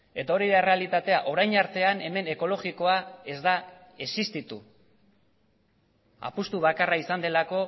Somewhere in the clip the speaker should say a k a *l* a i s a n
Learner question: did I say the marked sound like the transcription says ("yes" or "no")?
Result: no